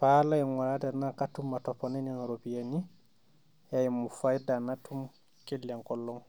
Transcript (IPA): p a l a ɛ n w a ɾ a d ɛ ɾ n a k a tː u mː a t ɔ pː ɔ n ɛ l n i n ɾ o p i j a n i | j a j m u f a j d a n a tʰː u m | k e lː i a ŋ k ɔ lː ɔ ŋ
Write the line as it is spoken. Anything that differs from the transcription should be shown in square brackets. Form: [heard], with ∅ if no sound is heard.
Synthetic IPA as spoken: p a l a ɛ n w a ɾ a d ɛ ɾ n a k a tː u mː a t ɔ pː ɔ n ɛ [∅] n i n ɾ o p i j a n i | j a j m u f a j d a n a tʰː u m | k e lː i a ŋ k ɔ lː ɔ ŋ